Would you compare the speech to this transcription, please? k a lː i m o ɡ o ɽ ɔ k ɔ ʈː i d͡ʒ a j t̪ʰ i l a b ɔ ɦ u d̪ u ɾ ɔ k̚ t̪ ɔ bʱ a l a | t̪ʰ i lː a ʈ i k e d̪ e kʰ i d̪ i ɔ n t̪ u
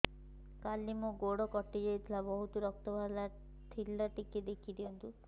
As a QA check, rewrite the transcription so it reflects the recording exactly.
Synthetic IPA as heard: k a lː i m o ɡ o ɽ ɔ k ɔ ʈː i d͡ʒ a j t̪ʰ i l a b ɔ ɦ u t̪ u ɾ ɔ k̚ t̪ ɔ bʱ a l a | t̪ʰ i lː a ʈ i k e d̪ e kʰ i d̪ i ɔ n t̪ u